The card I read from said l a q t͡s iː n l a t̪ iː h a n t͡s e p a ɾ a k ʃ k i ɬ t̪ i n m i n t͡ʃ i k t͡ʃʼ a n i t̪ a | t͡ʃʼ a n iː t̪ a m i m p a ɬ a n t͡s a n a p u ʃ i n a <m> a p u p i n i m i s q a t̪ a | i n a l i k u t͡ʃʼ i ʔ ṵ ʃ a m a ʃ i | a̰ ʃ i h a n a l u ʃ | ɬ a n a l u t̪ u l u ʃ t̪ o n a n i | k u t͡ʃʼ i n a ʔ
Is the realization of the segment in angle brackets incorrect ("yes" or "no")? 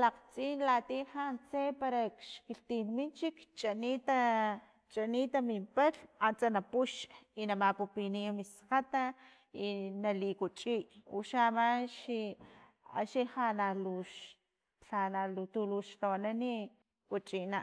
no